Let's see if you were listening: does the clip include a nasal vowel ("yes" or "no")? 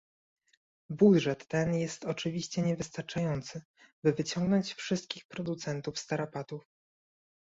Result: no